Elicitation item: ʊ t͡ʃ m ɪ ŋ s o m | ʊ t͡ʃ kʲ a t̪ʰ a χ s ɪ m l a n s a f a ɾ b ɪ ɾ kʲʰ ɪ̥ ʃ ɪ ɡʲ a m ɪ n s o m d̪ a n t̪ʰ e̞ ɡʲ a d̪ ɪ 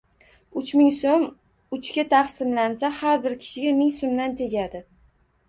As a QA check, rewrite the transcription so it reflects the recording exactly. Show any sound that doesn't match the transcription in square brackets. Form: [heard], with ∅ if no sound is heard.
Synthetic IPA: ʊ t͡ʃ m ɪ ŋ s o m | ʊ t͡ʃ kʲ a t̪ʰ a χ s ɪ m l a n s a [h] a ɾ b ɪ ɾ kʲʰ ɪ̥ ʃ ɪ ɡʲ a m ɪ [ŋ] s o m d̪ a n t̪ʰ e̞ ɡʲ a d̪ ɪ